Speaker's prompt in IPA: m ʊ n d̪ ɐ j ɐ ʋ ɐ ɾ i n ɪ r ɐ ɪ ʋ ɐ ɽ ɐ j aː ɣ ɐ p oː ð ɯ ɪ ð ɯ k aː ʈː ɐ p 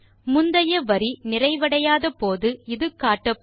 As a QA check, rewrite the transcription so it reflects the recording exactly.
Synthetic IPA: m ʊ n d̪ ɐ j ɐ ʋ ɐ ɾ i n ɪ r ɐ ɪ ʋ ɐ ɽ ɐ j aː ð ɐ p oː ð ɯ ɪ ð ɯ k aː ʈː ɐ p